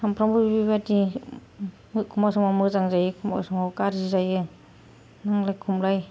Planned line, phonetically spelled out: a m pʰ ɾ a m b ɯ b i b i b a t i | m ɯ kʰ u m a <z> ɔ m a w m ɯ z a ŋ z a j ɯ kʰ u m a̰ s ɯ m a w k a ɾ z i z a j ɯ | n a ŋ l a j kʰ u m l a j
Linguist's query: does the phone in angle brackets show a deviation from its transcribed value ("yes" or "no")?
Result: yes